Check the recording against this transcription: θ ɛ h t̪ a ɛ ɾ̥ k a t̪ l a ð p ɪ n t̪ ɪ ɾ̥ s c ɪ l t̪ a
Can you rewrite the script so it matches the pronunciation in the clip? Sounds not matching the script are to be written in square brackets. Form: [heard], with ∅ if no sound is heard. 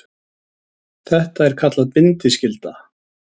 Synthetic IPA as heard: θ ɛ h t̪ a ɛ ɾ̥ [kʰ] a t̪ l a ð p ɪ n t̪ ɪ [∅] s c ɪ l t̪ a